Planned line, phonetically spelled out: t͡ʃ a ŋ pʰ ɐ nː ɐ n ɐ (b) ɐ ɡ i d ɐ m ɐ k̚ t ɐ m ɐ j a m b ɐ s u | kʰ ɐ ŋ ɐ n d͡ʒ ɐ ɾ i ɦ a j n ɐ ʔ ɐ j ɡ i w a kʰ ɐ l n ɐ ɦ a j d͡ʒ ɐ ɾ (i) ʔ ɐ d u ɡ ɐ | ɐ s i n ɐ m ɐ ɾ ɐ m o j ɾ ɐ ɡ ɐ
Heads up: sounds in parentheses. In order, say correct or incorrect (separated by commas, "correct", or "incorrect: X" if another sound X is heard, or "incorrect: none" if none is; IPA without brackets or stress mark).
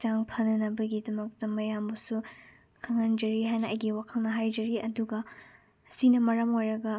correct, correct